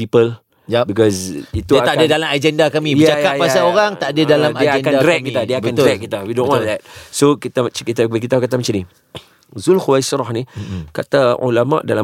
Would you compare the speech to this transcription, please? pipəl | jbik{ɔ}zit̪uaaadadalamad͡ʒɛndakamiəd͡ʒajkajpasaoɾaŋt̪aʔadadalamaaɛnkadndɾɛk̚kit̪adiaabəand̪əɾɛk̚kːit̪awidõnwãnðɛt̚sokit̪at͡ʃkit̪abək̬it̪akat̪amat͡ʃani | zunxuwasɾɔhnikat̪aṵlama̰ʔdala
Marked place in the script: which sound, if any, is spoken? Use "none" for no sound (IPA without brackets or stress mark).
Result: ɔ